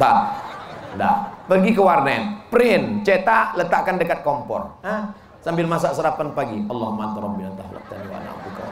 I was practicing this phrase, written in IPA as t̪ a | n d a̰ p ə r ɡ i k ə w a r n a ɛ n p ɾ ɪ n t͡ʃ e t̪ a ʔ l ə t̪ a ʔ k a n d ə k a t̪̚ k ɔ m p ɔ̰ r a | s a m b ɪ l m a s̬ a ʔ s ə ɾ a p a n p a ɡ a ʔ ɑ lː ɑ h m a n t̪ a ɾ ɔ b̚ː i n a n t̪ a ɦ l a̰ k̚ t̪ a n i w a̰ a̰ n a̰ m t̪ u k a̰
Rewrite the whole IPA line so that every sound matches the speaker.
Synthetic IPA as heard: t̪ a | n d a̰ p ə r ɡ i k ə w a r n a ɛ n p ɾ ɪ n t͡ʃ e t̪ a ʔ l ə t̪ a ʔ k a n d ə k a t̪̚ k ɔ m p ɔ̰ r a | s a m b ɪ l m a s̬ a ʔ s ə ɾ a p a n p a ɡ i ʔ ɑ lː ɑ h m a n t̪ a ɾ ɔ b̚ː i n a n t̪ a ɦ l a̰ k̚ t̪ a n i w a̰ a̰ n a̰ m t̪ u k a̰